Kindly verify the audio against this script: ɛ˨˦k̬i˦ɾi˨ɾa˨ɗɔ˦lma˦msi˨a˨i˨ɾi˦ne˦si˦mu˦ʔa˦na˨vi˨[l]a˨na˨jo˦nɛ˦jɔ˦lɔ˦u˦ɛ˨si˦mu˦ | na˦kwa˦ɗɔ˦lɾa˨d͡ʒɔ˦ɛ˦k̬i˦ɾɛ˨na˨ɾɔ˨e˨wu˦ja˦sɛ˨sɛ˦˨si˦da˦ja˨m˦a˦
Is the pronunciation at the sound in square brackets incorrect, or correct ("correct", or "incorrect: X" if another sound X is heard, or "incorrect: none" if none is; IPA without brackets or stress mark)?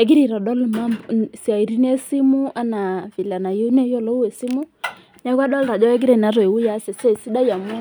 correct